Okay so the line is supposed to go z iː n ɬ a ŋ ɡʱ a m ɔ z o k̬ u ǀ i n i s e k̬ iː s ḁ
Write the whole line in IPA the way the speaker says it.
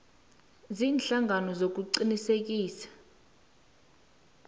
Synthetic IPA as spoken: z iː n ɬ a ŋ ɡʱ a n ɔ z o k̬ u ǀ i n i s e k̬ iː s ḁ

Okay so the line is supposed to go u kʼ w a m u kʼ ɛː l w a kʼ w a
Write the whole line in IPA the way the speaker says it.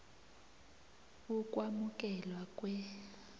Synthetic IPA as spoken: u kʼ w a m u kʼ ɛ l w a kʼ w ɛ

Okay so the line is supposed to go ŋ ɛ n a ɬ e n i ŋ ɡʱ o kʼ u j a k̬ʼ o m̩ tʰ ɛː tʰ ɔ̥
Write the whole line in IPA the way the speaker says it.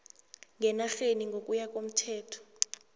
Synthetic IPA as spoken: ŋ ɛ n a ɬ e n i ŋ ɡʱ o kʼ u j a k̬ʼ o m̩ tʰ ɛː tʰ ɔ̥

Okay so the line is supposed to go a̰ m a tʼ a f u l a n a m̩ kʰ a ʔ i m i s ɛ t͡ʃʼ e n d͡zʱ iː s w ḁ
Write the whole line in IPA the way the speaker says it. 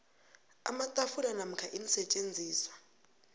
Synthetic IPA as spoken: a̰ m a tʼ a f u l a n a m̩ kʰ a ʔ i n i s ɛ t͡ʃʼ e n d͡zʱ iː s w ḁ

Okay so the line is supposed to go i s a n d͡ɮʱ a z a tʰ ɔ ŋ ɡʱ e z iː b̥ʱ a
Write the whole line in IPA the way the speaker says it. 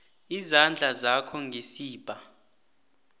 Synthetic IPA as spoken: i z a n d͡ɮʱ a z a kʰ ɔ ŋ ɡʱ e s iː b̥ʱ a

